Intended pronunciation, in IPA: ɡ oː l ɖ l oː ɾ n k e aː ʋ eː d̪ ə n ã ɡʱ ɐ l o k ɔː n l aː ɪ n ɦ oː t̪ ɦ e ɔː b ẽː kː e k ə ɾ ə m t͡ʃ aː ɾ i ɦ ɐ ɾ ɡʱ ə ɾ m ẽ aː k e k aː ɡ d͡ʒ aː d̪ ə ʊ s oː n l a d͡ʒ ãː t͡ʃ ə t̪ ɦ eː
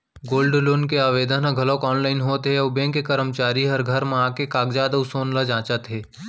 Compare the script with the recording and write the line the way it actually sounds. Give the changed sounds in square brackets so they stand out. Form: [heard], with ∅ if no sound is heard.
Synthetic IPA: ɡ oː l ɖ l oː [∅] n k e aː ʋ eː d̪ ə n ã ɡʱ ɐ l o k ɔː n l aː ɪ n ɦ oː t̪ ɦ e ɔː b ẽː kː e k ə ɾ ə m t͡ʃ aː ɾ i ɦ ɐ ɾ ɡʱ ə ɾ m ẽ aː k e k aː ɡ d͡ʒ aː d̪ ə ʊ s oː n l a d͡ʒ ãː t͡ʃ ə t̪ ɦ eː